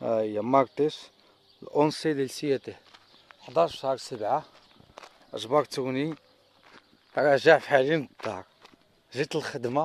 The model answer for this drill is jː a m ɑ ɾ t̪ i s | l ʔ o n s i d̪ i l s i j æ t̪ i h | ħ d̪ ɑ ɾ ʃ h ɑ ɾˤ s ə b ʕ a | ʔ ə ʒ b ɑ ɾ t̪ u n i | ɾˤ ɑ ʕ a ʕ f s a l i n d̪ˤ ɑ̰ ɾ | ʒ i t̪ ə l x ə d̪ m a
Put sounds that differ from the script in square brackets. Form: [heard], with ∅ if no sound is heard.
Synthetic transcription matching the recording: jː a m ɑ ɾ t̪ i s | l ʔ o n s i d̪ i l s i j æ t̪ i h | ħ d̪ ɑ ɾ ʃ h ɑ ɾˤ s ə b ʕ a | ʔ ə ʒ b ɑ ɾ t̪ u n i | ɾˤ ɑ [ʒ] a ʕ f [ħ] a l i n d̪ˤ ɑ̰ ɾ | ʒ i t̪ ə l x ə d̪ m a